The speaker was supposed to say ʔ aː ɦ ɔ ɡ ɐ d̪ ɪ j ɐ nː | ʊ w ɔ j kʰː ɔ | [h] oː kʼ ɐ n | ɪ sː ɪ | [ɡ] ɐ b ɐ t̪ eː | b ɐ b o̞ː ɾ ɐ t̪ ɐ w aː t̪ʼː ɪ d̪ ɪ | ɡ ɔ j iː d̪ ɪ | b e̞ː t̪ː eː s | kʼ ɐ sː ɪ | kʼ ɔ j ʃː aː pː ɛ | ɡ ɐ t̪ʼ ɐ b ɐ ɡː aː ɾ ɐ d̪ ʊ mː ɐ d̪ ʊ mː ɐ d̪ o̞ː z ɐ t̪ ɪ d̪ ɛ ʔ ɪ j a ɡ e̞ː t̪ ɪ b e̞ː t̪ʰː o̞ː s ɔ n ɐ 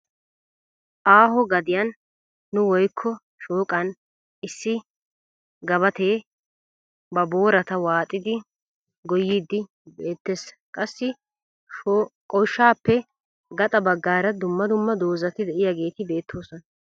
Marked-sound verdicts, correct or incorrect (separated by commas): incorrect, correct